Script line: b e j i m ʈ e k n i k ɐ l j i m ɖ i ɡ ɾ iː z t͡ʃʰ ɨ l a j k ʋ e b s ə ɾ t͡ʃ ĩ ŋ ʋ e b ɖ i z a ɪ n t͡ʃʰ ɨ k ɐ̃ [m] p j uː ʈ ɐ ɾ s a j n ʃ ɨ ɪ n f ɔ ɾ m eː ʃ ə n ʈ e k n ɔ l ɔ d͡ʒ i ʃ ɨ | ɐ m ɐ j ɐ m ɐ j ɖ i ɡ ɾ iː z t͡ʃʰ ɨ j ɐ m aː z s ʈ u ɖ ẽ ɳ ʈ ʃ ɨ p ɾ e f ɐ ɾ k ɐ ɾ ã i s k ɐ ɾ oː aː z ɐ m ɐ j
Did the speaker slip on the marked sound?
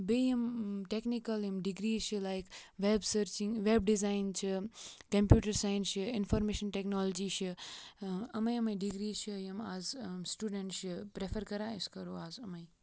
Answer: no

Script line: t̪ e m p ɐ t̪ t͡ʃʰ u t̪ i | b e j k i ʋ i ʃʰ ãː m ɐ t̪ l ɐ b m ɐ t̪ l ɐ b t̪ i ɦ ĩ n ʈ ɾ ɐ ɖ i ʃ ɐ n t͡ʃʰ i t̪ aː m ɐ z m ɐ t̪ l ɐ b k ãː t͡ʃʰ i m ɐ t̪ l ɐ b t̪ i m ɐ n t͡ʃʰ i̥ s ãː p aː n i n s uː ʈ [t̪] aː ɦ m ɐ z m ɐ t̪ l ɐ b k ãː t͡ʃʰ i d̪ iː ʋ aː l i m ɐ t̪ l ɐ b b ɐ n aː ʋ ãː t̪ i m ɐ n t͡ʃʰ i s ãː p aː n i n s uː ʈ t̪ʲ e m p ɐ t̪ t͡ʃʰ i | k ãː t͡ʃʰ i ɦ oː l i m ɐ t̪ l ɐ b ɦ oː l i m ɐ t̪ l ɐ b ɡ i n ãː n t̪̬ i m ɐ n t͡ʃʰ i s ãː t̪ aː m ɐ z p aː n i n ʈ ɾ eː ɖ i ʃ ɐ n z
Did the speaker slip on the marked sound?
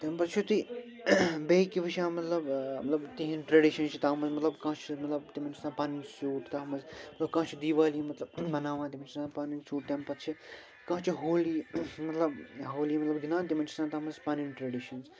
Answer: no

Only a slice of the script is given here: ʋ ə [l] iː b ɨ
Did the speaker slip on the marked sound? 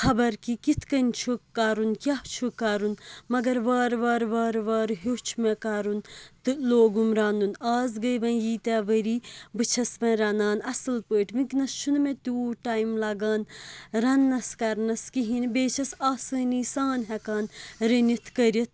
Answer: yes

